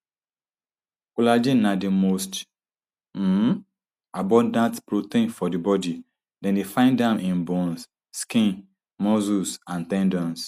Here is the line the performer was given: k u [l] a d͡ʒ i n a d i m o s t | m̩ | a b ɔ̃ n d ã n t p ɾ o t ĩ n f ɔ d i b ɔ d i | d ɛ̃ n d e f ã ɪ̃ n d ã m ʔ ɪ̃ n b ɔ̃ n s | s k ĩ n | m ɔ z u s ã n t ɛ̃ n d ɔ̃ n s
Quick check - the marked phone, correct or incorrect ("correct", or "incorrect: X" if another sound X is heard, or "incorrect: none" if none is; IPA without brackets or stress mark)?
correct